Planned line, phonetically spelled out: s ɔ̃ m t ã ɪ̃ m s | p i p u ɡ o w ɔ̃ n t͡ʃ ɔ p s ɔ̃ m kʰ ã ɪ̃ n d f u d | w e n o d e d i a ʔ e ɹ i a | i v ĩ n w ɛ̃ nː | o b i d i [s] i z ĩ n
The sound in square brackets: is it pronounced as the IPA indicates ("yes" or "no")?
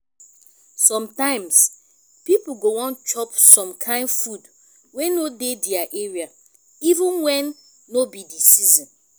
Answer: yes